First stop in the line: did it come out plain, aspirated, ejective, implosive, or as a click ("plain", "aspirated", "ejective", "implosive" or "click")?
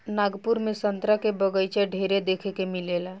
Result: plain